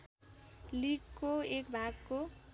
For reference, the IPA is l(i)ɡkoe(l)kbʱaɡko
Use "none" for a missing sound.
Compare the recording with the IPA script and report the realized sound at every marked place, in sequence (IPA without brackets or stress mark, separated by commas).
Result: i, none